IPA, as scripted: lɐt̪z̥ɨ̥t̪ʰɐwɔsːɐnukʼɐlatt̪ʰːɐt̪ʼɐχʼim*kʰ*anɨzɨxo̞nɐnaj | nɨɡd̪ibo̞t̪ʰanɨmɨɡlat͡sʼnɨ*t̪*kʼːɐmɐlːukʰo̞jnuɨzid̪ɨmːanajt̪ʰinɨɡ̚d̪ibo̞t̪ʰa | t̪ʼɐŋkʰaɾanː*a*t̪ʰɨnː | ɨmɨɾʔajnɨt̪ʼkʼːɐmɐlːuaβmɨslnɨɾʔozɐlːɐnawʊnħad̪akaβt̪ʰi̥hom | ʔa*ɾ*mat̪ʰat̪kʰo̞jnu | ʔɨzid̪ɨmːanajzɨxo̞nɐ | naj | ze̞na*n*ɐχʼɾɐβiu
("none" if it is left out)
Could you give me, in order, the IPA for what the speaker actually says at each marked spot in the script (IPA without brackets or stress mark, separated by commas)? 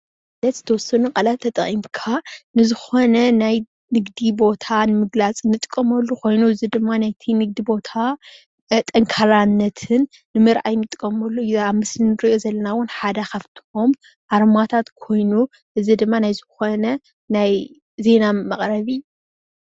kʰ, t̪ʼ, ɐ, ɾ, m